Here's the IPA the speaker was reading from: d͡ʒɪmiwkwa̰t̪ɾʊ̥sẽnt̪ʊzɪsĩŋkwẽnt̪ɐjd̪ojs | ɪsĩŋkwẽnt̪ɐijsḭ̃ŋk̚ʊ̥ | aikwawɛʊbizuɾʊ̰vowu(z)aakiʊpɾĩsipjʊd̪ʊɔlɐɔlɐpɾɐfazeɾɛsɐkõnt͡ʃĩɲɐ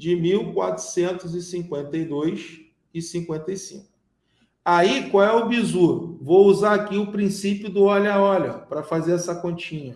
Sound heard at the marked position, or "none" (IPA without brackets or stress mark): z